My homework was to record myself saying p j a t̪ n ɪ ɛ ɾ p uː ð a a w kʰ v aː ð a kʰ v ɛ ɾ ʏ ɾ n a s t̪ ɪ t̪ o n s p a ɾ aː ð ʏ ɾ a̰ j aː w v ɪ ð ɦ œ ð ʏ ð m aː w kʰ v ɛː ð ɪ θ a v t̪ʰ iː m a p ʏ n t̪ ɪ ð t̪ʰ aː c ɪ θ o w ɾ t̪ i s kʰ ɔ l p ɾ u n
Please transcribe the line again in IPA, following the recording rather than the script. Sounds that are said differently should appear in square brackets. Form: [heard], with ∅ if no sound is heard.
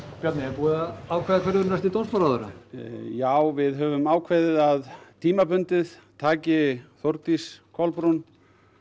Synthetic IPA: p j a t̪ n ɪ ɛ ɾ p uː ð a a w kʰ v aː ð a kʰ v ɛ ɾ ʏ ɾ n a s t̪ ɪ t̪ o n s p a ɾ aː ð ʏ ɾ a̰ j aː w v ɪ ð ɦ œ [v] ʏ [∅] m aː w kʰ v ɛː ð ɪ [ð] a [ð] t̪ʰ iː m a p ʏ n t̪ ɪ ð t̪ʰ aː c ɪ θ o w ɾ t̪ i s kʰ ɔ l p ɾ u n